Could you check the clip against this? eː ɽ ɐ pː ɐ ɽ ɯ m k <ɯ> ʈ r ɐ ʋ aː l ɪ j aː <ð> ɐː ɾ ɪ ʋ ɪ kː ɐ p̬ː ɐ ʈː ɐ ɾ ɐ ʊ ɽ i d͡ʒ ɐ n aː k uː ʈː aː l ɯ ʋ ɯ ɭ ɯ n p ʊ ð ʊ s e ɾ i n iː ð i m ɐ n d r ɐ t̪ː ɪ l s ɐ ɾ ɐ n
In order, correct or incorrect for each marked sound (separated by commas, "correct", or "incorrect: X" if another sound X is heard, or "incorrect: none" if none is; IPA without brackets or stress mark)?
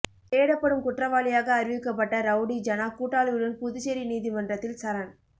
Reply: incorrect: ʊ, incorrect: ɣ